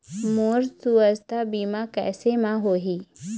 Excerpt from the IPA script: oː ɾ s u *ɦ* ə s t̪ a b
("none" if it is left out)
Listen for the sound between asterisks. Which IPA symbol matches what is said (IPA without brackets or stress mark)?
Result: none